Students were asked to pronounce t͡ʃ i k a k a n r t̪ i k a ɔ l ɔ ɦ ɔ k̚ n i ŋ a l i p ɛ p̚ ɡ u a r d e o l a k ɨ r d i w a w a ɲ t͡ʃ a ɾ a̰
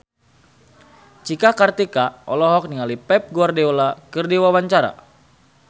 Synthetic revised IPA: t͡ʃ i k a k a r t̪ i k a ɔ l ɔ ɦ ɔ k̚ n i ŋ a l i p ɛ p̚ ɡ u a r d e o l a k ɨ r d i w a w a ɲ t͡ʃ a ɾ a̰